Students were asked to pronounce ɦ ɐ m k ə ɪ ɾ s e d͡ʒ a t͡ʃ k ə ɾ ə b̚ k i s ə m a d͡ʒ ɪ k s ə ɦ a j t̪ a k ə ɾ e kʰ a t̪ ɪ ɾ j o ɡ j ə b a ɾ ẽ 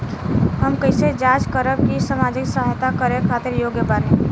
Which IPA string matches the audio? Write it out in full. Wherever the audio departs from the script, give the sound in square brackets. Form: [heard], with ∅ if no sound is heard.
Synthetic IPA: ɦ [ə] m k ə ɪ [∅] s e d͡ʒ a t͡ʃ k ə ɾ ə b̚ k i s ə m a d͡ʒ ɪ k s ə ɦ a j t̪ a k ə ɾ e kʰ a t̪ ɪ ɾ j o ɡ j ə b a ɾ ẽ